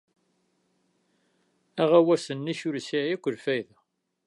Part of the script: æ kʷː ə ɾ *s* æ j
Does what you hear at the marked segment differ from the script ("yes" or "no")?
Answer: yes